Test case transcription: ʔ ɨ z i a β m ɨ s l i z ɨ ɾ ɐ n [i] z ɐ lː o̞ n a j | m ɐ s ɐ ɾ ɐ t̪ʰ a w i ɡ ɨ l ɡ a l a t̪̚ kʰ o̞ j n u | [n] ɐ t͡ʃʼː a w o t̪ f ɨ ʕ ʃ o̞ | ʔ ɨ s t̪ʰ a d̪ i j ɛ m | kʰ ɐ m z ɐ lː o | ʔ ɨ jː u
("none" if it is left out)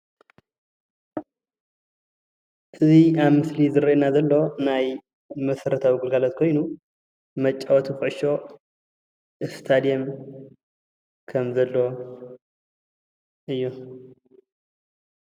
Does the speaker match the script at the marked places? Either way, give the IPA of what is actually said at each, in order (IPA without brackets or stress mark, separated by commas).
a, m